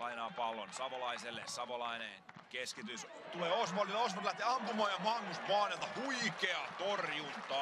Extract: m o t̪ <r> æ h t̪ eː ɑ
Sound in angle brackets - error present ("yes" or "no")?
yes